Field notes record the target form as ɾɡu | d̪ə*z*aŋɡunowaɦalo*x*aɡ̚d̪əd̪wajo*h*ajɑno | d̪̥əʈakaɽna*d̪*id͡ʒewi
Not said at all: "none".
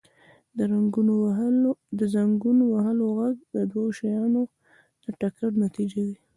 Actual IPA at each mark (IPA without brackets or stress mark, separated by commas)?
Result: z, ɣ, ʃ, t̪